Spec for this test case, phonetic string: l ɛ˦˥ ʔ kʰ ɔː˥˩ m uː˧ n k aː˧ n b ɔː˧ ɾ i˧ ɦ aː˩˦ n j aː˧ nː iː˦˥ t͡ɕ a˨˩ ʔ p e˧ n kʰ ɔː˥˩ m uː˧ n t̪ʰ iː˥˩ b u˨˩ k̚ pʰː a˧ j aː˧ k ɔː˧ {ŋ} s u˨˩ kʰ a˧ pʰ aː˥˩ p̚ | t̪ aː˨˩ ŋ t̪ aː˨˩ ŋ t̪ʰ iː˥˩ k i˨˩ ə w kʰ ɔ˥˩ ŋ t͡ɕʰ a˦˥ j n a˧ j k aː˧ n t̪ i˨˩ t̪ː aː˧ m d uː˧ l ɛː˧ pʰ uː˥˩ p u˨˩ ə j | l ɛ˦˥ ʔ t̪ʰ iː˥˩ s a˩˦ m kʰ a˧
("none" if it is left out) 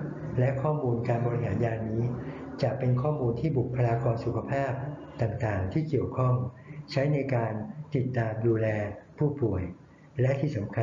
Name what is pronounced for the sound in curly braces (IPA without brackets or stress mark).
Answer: n